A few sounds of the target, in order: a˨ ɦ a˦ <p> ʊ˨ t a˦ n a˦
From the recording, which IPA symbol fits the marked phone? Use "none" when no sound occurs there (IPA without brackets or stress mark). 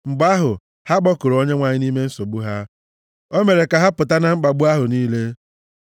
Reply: p